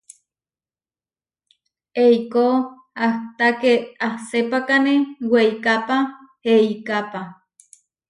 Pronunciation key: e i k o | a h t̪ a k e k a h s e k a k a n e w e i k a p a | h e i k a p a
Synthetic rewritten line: e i k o | a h t̪ a k e a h s e p a k a n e w e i k a p a | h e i k a p a